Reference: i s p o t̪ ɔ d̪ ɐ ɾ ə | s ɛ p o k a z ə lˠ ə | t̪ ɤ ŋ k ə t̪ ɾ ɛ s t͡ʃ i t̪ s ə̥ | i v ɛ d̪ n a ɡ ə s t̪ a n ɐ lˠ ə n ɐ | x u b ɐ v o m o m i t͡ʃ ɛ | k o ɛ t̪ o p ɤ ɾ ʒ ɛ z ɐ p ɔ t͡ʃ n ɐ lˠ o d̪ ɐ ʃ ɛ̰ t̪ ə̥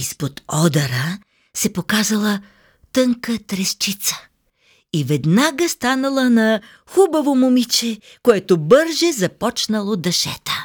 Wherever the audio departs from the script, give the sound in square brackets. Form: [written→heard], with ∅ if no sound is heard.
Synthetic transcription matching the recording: i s p o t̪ ɔ d̪ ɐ ɾ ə | s ɛ p o k a z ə lˠ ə | t̪ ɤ ŋ k ə t̪ ɾ ɛ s t͡ʃ i t̪ s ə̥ | i v ɛ d̪ n a ɡ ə s t̪ a n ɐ lˠ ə n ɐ | x u b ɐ v o m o m i t͡ʃ ɛ | k o ɛ t̪ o [p→b] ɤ ɾ ʒ ɛ z ɐ p ɔ t͡ʃ n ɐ lˠ o d̪ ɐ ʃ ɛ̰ t̪ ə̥